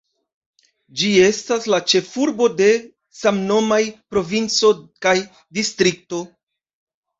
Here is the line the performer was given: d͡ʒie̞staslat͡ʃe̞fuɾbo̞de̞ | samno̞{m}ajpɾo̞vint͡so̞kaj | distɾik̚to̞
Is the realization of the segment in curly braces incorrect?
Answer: no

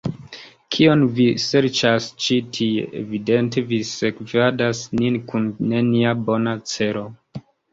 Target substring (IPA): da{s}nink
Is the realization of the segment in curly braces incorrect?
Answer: no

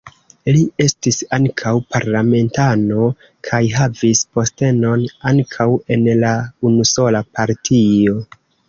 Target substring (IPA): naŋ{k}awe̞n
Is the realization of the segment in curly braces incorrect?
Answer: yes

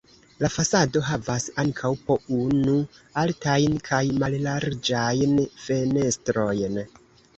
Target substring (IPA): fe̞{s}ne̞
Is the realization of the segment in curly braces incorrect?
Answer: yes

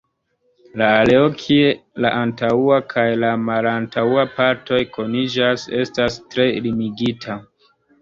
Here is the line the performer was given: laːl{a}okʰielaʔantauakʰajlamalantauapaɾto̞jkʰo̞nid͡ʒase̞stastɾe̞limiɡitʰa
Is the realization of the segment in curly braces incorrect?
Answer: yes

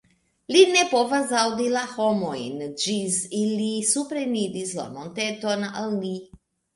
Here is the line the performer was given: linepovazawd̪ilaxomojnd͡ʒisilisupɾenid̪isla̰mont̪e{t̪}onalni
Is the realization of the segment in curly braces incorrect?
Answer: no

